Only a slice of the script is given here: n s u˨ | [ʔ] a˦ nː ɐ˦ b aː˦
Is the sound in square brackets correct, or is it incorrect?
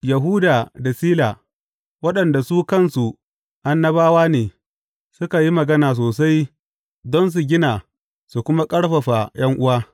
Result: correct